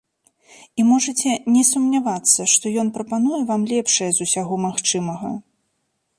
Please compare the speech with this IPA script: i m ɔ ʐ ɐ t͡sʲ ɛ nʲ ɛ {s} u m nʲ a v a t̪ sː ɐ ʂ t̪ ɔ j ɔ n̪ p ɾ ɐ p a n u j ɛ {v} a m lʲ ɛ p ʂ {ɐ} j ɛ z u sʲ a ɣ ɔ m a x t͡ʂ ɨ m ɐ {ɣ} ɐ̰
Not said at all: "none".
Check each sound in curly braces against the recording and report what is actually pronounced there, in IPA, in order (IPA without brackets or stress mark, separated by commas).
s, v, ɐ, ɣ